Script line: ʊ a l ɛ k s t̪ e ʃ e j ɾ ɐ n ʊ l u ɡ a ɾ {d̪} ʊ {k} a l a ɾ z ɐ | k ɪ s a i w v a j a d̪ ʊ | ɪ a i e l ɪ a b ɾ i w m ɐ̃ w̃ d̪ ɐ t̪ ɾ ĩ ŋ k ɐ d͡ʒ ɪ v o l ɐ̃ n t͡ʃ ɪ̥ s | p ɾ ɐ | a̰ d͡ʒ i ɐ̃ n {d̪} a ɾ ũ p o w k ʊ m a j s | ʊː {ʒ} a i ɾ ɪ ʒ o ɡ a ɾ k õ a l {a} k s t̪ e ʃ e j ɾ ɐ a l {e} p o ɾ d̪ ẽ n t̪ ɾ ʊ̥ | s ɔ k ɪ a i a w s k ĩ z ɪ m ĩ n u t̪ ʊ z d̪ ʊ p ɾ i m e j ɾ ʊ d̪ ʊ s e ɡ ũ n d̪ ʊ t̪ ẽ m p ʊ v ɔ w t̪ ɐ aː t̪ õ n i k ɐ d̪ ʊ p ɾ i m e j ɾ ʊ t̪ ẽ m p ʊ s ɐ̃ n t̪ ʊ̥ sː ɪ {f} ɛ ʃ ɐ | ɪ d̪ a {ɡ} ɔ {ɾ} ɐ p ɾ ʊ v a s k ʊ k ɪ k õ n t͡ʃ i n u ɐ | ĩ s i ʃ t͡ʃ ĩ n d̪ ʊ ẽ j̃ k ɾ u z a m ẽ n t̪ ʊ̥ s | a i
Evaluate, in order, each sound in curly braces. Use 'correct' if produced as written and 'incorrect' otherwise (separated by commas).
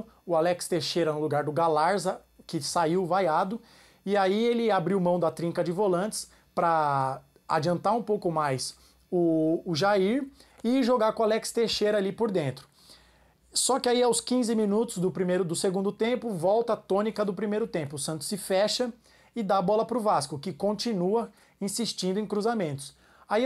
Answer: correct, incorrect, incorrect, correct, incorrect, incorrect, correct, incorrect, incorrect